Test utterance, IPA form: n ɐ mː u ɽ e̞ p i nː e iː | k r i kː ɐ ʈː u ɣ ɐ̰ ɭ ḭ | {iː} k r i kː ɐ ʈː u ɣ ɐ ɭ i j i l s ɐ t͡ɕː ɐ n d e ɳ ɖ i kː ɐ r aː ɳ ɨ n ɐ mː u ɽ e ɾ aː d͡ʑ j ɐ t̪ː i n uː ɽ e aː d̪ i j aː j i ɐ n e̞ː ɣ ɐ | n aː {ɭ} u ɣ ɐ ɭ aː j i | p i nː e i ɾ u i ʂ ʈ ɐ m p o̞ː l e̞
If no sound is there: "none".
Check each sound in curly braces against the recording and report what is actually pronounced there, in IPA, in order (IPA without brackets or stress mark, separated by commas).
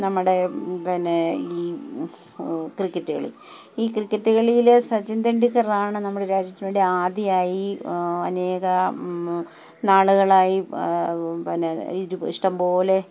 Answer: iː, ɭ